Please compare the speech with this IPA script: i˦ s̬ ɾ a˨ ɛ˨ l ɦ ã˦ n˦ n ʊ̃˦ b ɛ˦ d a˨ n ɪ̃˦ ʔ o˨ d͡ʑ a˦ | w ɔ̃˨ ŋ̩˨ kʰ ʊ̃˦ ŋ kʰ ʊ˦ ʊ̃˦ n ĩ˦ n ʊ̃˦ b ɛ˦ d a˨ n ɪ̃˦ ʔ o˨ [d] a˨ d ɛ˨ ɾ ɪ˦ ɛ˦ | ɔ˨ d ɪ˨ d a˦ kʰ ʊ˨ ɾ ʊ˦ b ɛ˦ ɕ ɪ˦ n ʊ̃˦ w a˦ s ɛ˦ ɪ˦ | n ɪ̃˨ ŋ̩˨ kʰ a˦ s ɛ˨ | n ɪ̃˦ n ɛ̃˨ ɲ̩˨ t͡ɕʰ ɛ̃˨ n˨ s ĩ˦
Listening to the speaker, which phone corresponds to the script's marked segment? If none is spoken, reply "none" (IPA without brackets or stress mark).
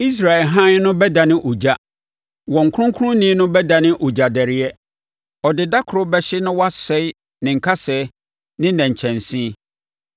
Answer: d͡ʑ